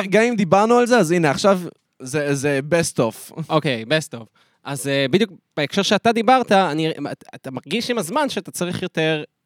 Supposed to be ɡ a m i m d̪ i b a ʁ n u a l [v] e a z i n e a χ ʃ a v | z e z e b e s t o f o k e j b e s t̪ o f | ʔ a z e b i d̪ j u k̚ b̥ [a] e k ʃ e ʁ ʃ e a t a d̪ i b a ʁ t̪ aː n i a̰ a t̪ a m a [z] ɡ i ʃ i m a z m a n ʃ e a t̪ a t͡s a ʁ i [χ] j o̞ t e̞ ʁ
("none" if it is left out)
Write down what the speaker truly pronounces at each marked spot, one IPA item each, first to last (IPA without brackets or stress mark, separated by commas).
z, e, ʁ, χ